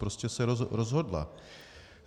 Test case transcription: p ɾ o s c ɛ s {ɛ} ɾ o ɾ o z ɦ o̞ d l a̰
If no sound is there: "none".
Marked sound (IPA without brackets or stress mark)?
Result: ɛ